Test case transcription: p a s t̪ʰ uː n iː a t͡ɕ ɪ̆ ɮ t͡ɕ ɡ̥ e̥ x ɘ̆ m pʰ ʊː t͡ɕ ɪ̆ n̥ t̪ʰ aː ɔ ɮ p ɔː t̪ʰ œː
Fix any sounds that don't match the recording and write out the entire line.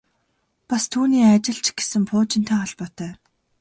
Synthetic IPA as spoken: p a s t̪ʰ uː n iː a t͡ɕ ɪ̆ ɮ t͡ɕ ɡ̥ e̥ s ɘ̆ m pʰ ʊː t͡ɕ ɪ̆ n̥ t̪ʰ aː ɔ ɮ p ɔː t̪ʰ œː